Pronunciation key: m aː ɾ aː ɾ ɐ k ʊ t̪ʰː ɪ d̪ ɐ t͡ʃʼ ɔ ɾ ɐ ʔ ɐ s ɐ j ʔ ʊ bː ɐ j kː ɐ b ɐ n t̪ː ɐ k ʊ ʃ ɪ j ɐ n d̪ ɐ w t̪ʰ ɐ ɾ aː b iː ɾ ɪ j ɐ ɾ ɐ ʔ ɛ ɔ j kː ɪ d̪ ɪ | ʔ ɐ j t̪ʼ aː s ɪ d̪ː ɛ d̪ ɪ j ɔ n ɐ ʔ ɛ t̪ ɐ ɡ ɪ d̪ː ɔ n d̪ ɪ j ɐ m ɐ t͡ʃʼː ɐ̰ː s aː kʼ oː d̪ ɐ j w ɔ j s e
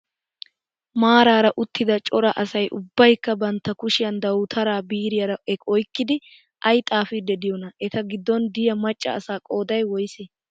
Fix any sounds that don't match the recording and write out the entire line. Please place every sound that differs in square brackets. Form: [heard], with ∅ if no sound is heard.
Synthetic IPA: m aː ɾ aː ɾ ɐ [ʔ] ʊ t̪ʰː ɪ d̪ ɐ t͡ʃʼ ɔ ɾ ɐ ʔ ɐ s ɐ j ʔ ʊ bː ɐ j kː ɐ b ɐ n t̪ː ɐ k ʊ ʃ ɪ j ɐ n d̪ ɐ w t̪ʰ ɐ ɾ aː b iː ɾ ɪ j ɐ ɾ ɐ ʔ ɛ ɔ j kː ɪ d̪ ɪ | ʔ ɐ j t̪ʼ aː [f] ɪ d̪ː ɛ d̪ ɪ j ɔ n ɐ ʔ ɛ t̪ ɐ ɡ ɪ d̪ː ɔ n d̪ ɪ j ɐ m ɐ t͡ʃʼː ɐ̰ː s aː kʼ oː d̪ ɐ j w ɔ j s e